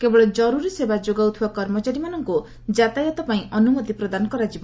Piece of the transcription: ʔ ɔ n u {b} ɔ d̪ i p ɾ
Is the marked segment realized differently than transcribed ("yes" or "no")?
yes